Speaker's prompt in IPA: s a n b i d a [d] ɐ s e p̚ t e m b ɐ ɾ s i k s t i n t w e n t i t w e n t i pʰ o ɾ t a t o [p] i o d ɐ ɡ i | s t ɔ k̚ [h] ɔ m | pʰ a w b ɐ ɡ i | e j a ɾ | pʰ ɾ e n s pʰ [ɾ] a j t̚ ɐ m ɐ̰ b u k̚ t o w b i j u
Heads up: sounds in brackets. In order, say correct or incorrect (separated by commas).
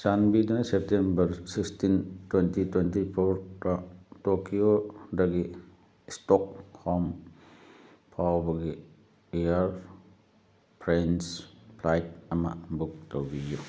incorrect, incorrect, correct, incorrect